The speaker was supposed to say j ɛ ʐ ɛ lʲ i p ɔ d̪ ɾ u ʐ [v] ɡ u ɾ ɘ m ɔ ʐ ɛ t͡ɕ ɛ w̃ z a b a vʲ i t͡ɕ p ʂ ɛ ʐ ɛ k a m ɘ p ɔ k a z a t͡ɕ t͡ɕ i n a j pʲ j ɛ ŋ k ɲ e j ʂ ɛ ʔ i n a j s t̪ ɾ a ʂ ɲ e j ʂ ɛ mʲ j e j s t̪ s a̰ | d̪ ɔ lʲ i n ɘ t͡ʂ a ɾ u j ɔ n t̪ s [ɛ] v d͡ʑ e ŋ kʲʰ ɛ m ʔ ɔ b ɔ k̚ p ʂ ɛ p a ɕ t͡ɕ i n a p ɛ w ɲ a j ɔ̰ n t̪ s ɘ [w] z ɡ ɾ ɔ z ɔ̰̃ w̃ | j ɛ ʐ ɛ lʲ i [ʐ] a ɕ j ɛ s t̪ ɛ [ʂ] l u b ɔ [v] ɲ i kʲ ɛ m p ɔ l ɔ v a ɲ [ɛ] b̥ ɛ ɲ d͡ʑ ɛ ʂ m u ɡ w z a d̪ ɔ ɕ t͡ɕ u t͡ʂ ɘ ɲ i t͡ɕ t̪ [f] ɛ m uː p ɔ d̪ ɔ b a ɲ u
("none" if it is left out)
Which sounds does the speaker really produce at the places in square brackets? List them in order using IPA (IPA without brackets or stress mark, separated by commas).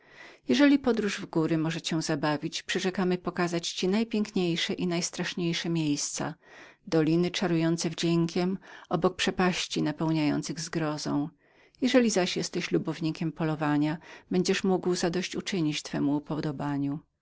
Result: v, ɛ, ɣ, z, ɕ, v, a, f